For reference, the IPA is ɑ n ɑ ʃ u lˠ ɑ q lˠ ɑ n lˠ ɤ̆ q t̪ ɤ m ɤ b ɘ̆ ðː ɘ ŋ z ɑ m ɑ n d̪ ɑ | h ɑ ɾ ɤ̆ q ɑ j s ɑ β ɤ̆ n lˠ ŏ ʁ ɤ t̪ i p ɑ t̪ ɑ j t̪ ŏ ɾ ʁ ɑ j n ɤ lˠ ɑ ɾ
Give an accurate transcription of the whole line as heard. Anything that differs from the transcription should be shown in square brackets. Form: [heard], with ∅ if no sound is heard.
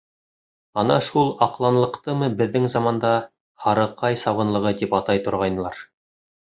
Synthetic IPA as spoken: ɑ n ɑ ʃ u lˠ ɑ q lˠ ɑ n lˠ ɤ̆ q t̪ ɤ m ɤ b ɘ̆ ðː ɘ ŋ z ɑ m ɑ n d̪ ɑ | h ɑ ɾ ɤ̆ q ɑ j s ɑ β ɤ̆ n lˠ [ɤ̆] ʁ ɤ t̪ i p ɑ t̪ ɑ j t̪ ŏ ɾ ʁ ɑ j n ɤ lˠ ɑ ɾ